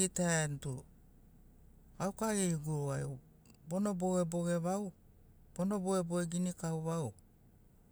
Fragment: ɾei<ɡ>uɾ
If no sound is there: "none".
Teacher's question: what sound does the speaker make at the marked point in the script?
ɡ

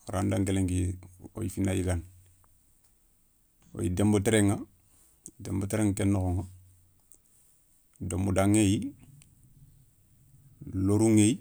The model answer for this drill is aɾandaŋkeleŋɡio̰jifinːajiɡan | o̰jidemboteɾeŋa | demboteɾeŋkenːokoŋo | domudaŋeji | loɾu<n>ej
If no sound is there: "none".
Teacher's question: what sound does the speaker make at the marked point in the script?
ŋ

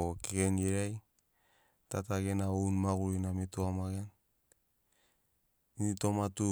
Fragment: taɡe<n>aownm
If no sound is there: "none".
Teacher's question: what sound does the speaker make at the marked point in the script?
n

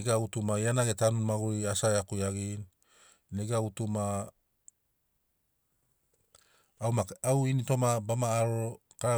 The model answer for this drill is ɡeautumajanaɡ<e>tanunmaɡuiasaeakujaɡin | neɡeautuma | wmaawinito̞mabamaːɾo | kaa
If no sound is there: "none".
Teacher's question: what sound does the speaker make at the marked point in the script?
e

